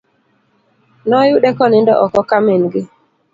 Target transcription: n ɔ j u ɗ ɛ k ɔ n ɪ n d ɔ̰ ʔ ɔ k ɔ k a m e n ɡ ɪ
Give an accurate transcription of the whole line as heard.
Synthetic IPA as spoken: n ɔ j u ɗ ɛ k ɔ n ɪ n d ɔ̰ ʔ ɔ k ɔ k a m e n ɡ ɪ